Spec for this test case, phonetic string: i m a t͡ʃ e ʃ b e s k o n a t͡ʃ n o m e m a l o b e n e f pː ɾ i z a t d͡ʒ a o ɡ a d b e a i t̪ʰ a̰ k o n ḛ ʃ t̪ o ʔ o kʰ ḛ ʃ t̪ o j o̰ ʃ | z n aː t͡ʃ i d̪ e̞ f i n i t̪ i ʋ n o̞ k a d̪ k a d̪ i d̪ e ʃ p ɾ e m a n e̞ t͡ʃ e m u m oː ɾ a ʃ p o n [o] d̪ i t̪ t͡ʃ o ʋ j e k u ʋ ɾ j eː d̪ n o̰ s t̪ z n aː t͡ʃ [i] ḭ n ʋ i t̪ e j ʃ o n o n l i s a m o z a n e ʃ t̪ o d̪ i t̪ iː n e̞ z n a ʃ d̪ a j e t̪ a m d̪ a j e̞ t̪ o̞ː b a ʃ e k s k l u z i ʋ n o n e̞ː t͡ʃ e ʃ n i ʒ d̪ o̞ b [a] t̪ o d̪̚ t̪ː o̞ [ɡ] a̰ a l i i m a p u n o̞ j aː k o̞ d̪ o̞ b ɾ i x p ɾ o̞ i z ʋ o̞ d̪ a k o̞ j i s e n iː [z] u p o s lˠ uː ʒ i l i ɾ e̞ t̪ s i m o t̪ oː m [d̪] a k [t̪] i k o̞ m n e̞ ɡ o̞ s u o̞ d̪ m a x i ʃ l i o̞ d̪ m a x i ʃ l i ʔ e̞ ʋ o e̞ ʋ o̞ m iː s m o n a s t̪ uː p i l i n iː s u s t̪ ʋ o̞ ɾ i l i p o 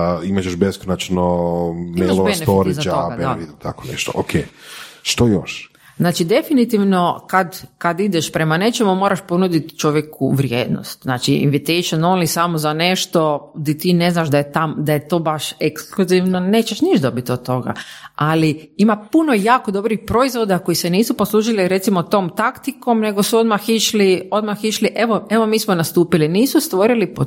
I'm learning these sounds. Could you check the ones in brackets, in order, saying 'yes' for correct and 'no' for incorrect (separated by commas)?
no, yes, no, yes, no, no, yes